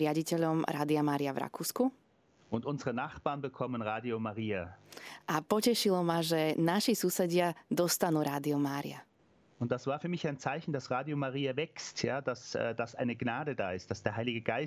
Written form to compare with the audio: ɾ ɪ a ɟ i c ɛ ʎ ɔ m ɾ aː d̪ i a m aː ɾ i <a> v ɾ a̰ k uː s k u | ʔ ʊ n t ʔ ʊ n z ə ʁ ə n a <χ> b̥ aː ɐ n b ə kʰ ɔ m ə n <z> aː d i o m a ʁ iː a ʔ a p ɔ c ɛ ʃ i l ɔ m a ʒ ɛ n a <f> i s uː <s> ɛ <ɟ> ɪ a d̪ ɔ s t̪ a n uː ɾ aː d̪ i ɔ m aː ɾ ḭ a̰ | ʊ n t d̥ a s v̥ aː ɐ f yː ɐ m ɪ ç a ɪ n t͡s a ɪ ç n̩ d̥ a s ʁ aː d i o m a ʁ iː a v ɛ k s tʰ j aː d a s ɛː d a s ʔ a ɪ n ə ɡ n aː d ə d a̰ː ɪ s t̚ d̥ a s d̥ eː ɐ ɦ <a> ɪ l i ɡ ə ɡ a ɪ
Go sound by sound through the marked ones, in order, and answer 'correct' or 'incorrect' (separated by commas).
correct, correct, incorrect, incorrect, correct, correct, correct